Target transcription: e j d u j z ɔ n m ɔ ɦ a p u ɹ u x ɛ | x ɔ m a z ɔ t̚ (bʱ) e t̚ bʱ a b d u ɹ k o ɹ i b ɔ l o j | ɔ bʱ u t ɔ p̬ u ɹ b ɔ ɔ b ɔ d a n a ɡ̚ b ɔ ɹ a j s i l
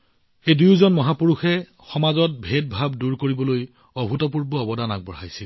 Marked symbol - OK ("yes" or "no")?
yes